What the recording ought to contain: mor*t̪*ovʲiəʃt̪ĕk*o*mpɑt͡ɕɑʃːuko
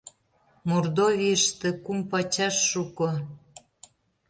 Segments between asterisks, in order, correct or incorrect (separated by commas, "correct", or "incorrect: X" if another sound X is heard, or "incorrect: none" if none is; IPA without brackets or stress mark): incorrect: d̪, incorrect: u